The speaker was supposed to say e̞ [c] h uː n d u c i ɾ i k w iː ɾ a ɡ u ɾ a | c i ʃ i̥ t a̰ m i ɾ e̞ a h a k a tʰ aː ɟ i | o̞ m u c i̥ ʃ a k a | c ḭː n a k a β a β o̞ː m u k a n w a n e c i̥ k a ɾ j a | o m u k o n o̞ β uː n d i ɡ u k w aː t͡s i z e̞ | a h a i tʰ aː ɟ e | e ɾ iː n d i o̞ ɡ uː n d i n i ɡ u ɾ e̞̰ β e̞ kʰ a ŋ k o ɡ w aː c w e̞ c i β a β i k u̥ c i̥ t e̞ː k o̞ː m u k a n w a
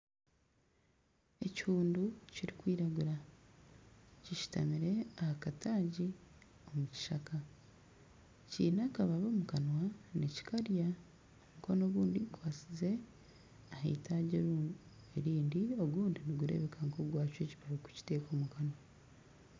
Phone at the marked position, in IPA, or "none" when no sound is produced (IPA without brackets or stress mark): c